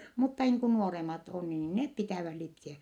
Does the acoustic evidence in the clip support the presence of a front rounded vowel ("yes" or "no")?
no